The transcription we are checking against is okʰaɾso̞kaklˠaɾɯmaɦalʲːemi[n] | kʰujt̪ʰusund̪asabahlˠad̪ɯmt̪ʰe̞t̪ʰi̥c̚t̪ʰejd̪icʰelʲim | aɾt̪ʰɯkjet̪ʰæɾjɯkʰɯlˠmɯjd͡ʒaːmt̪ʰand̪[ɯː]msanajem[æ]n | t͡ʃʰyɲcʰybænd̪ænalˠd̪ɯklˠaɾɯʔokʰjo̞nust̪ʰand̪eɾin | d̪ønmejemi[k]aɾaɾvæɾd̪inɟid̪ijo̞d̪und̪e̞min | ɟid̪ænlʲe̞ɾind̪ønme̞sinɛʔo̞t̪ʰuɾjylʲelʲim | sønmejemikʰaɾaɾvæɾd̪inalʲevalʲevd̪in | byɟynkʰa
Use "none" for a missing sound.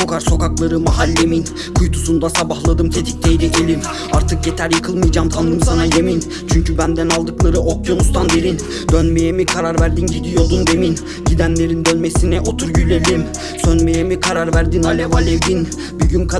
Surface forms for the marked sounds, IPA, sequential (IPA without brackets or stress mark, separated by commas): n, ɯ, i, kʰ